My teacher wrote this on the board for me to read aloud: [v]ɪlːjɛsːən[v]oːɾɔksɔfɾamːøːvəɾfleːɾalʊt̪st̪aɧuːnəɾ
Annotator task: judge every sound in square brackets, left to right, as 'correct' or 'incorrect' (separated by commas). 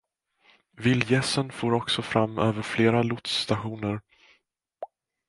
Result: correct, incorrect